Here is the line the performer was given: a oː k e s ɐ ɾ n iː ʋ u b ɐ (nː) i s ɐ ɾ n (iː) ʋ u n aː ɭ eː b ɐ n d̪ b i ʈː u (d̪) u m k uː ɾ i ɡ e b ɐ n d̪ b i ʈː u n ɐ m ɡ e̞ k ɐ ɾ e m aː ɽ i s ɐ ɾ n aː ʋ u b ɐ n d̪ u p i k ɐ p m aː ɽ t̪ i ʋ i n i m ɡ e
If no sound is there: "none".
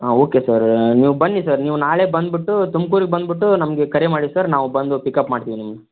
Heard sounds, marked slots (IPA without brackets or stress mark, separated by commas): nː, iː, t̪